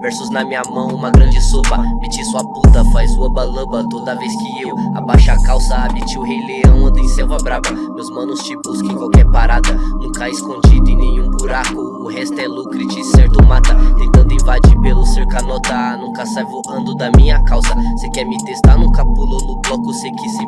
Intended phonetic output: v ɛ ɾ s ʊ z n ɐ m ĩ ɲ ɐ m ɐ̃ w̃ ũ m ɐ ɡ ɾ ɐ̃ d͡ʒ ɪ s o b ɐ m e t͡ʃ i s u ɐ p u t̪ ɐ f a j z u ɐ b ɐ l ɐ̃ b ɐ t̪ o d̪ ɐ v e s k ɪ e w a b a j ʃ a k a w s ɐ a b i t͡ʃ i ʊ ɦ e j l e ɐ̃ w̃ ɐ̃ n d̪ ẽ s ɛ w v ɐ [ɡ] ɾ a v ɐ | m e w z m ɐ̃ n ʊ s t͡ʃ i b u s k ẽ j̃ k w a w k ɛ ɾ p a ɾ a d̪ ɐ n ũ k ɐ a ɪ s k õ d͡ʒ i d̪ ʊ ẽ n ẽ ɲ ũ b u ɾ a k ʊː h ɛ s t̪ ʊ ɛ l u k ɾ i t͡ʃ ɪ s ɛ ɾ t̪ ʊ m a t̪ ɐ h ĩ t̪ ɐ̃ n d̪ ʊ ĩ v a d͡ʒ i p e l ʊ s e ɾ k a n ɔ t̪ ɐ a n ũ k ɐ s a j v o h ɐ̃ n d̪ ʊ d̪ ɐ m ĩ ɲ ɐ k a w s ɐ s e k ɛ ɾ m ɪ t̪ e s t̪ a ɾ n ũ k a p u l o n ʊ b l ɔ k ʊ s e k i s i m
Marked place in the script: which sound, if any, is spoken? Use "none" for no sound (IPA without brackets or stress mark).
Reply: b